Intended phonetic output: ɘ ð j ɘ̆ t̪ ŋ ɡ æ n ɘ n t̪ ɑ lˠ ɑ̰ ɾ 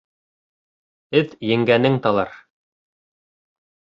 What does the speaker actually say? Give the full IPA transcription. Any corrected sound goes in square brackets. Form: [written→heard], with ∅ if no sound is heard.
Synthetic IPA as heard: ɘ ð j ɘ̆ [t̪→∅] ŋ ɡ æ n ɘ [n→ŋ] t̪ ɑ lˠ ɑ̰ ɾ